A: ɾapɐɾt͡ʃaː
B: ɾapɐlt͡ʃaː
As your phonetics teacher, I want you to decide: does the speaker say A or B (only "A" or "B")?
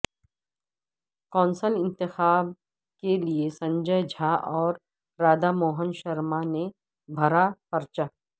A